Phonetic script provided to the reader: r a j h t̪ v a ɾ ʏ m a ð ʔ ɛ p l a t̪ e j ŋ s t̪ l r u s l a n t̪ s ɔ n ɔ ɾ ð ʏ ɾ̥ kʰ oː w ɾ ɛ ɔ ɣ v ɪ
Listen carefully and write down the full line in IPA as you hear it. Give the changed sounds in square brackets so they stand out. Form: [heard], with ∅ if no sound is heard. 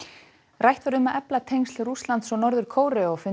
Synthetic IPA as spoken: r a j h t̪ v a ɾ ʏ m a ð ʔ ɛ p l a [t̪ʰ] e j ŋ s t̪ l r u s l a n t̪ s ɔ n ɔ ɾ ð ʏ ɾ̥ kʰ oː w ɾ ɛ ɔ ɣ [f] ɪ